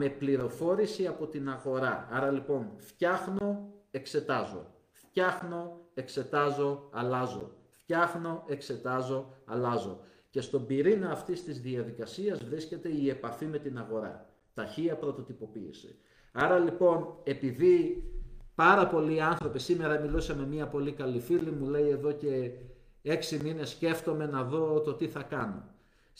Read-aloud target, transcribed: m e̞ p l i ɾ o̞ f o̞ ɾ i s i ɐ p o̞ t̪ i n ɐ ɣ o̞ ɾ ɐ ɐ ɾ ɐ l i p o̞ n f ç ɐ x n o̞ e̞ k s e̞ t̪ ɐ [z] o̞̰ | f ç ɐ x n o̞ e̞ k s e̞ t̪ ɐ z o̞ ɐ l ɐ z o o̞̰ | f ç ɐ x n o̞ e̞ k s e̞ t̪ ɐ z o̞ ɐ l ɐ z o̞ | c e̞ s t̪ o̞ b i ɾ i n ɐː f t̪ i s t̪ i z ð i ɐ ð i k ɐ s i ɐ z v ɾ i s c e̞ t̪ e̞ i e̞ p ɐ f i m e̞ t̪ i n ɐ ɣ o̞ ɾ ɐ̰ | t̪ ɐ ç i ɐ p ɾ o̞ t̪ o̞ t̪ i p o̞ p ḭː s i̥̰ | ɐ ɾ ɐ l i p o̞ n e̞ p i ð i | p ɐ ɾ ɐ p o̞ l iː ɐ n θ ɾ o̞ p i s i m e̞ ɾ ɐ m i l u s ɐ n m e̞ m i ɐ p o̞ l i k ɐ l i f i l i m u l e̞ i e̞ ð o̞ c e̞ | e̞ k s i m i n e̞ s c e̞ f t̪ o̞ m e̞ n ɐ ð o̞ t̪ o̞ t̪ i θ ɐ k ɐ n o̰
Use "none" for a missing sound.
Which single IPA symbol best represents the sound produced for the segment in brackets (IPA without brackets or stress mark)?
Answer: z